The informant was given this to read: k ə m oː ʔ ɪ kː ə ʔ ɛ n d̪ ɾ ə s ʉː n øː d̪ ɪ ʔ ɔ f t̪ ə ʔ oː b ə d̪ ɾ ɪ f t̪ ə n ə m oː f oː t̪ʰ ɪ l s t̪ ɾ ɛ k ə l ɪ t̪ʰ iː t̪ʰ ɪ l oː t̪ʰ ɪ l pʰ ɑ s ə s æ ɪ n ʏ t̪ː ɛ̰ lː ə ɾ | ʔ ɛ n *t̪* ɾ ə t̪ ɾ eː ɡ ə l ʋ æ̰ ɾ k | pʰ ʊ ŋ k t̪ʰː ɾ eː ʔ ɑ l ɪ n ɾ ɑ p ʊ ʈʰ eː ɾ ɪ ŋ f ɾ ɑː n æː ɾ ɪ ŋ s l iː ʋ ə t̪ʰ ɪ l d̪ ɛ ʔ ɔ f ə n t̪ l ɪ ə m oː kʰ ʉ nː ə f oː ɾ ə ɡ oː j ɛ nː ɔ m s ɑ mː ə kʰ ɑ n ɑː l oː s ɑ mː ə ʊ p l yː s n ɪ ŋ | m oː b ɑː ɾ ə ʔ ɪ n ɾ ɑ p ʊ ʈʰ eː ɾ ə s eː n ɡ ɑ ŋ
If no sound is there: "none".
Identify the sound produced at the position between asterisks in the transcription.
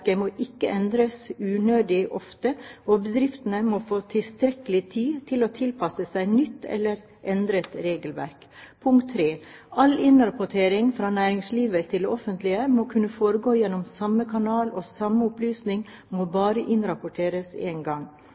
d̪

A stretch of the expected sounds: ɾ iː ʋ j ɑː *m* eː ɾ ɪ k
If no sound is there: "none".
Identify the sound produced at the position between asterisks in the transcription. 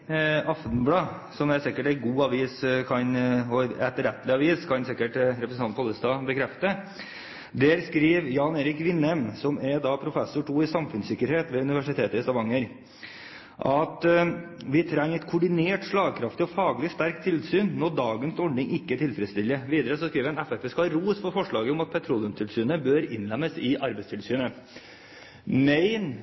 n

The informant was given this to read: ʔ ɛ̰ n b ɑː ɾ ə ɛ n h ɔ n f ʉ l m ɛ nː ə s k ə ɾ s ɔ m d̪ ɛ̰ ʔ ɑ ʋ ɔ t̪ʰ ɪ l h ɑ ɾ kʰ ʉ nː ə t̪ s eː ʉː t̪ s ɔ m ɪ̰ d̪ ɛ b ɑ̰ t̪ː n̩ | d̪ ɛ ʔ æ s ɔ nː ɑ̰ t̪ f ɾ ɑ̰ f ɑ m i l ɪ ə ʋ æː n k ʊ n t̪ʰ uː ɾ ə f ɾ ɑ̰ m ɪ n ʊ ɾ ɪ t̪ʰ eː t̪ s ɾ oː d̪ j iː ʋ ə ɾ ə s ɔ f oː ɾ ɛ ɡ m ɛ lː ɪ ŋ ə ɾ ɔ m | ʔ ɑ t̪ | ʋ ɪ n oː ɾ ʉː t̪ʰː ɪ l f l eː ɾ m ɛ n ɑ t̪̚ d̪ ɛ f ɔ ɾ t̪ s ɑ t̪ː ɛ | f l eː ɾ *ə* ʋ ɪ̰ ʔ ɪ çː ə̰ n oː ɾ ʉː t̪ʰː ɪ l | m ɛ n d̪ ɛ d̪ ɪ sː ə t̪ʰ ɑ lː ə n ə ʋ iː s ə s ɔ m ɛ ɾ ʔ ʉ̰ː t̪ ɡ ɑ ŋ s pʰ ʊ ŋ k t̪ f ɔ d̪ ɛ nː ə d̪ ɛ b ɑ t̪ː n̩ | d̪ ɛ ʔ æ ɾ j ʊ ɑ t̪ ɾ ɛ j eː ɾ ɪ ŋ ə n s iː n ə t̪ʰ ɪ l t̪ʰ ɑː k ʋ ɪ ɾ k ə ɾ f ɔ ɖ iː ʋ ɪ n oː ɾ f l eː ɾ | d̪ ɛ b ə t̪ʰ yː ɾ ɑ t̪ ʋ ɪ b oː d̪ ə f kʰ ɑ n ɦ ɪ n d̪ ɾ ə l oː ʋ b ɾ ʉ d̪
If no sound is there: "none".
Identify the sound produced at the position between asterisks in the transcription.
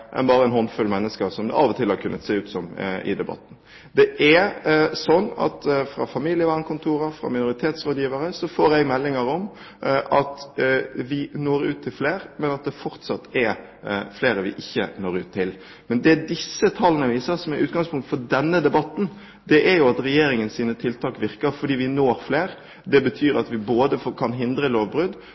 ə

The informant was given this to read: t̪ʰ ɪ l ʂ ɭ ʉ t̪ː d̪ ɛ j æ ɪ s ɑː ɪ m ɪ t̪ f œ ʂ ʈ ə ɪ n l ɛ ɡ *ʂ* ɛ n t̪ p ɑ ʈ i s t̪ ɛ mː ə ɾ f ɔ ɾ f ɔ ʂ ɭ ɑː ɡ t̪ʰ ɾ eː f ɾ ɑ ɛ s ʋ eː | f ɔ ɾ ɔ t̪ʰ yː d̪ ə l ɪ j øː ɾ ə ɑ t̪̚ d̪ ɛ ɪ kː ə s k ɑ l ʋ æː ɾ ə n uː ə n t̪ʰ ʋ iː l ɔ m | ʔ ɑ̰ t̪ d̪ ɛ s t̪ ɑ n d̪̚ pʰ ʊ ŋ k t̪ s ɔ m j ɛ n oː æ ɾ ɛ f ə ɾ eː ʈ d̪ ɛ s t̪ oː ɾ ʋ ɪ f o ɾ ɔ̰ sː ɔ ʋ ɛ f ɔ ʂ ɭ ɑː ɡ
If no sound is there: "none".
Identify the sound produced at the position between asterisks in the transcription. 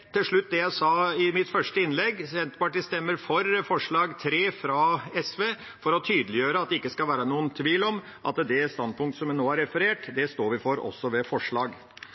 s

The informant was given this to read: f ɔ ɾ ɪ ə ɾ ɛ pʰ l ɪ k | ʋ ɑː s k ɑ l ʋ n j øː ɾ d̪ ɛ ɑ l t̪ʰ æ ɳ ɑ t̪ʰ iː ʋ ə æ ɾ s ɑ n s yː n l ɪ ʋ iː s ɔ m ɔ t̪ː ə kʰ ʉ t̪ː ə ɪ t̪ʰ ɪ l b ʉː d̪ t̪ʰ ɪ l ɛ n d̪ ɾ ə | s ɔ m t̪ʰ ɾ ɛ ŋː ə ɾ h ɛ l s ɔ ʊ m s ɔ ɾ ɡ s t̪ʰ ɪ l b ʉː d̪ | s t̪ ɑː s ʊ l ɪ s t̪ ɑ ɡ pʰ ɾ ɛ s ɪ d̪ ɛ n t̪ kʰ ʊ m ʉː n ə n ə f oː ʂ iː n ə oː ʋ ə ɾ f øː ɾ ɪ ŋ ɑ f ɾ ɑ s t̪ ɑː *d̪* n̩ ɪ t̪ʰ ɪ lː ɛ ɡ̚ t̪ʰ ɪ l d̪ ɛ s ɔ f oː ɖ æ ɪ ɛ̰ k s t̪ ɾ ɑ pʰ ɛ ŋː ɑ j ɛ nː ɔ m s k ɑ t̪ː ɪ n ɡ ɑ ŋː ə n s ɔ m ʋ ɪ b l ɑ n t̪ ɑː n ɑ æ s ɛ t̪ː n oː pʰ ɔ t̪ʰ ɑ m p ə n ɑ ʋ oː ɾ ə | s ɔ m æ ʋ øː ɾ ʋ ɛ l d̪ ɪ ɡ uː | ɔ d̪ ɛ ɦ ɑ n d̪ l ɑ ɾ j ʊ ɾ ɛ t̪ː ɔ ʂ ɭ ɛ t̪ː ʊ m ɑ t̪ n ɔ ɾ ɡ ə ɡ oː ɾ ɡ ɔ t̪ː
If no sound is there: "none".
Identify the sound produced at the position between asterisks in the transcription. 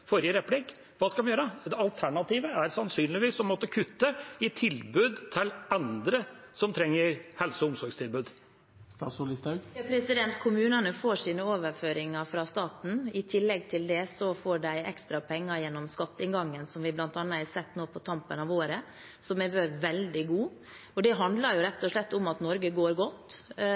t̪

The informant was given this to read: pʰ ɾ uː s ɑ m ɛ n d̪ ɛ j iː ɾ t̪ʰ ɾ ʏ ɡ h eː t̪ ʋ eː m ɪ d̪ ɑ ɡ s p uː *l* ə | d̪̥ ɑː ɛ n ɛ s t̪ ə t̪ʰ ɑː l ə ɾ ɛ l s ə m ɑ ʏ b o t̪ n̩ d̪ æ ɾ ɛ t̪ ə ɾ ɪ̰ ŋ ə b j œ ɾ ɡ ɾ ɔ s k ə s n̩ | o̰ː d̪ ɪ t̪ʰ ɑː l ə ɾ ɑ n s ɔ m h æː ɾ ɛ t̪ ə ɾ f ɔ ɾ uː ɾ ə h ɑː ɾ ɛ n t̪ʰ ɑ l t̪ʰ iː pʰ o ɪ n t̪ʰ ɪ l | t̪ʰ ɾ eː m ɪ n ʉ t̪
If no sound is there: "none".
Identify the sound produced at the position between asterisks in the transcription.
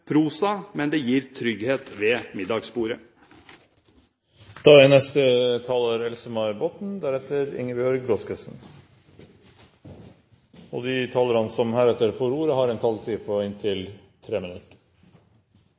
ɾ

